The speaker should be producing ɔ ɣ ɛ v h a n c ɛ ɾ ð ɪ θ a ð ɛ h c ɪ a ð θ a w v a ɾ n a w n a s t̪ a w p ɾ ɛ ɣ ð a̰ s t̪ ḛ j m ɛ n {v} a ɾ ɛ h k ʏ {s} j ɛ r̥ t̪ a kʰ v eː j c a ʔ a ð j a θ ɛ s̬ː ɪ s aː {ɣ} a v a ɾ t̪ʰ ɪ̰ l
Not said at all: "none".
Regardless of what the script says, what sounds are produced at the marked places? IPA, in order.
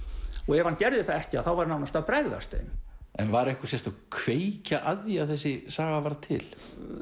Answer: v, s, ɣ

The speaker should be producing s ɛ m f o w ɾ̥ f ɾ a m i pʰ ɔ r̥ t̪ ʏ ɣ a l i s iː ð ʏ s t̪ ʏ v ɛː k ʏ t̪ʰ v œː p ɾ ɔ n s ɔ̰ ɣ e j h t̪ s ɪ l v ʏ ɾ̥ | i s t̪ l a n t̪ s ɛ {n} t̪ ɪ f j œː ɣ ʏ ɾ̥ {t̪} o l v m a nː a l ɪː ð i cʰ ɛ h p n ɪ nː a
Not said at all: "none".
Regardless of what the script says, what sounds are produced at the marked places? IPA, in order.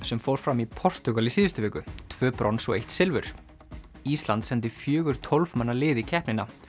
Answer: n, t̪ʰ

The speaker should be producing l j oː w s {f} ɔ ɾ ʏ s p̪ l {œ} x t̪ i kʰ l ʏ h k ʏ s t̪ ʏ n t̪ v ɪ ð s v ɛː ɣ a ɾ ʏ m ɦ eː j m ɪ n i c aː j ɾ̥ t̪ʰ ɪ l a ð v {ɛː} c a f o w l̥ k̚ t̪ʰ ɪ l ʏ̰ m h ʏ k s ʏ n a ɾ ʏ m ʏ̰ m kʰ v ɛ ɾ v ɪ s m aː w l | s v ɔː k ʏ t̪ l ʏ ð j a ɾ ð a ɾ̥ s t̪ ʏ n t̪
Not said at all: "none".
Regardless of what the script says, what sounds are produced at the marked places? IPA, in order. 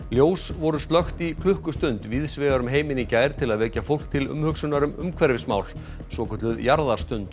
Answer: v, œ, ɛː

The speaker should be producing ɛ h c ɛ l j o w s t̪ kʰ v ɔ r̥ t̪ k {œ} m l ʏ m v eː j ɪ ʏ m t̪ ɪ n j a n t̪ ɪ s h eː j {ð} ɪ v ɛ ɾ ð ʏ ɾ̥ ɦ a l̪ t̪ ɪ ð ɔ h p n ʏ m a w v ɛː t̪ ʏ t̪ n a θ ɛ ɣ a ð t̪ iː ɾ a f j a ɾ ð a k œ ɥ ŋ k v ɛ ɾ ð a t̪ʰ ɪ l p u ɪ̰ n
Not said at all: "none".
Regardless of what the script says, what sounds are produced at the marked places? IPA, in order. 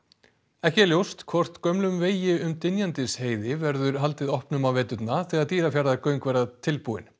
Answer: œ, ð

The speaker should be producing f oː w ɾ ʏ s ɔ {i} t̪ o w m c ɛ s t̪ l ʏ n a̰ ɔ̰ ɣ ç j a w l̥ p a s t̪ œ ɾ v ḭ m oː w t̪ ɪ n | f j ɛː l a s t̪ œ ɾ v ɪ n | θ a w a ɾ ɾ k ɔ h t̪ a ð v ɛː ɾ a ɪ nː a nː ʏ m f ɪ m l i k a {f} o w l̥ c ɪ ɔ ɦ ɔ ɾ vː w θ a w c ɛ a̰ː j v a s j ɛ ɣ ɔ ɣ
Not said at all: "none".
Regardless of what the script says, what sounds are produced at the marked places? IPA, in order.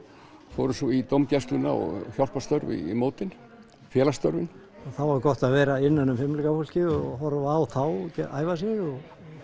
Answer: i, f

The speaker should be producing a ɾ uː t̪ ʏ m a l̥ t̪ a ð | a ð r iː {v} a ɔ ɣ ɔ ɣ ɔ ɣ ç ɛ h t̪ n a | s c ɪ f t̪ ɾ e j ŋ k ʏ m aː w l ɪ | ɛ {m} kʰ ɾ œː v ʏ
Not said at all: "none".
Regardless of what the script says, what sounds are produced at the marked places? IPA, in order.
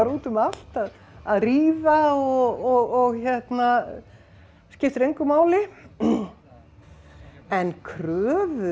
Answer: v, n

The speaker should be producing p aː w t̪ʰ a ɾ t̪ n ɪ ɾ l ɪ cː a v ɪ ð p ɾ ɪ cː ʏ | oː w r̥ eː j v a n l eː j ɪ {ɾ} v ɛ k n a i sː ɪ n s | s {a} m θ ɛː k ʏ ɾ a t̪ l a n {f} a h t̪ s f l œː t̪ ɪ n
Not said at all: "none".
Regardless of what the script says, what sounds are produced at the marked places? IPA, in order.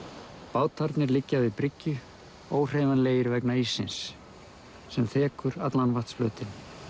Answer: ɾ, ɛ, v

